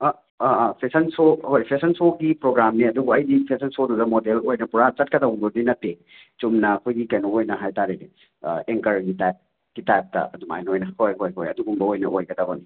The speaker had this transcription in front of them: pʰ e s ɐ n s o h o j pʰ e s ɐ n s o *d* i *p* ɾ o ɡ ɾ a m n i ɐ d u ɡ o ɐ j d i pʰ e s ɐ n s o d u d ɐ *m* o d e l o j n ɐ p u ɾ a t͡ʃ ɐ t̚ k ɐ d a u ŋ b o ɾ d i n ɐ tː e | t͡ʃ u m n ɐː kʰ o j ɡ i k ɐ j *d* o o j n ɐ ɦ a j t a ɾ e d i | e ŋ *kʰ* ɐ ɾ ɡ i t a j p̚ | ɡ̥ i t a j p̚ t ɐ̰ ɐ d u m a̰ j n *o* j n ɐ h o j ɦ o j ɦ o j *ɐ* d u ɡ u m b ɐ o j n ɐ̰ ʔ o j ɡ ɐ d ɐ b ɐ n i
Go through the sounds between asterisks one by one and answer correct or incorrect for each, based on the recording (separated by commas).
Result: incorrect, correct, correct, incorrect, incorrect, correct, correct